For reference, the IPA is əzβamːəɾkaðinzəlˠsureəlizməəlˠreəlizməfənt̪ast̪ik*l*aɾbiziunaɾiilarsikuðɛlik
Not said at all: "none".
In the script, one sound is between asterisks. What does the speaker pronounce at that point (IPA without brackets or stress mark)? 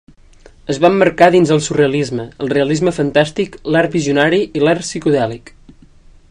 l